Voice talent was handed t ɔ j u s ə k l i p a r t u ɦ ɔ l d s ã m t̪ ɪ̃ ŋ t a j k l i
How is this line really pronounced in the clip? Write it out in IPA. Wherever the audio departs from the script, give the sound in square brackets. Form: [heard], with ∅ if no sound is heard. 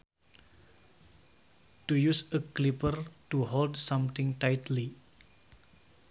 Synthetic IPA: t [u] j u s ə k l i p [ə] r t u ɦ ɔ l d s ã m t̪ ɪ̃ ŋ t a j [t] l i